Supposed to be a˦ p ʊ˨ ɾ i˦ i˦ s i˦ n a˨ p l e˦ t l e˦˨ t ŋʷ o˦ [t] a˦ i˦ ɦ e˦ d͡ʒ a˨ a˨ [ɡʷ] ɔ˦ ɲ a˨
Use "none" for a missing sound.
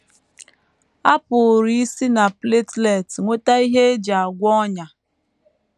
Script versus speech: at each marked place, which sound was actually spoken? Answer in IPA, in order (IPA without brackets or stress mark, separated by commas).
t, ɡʷ